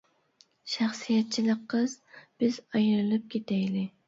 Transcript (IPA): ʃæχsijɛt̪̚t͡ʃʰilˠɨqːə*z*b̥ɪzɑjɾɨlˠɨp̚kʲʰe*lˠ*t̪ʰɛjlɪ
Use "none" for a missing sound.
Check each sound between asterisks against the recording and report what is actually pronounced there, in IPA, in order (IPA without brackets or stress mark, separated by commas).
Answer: z, none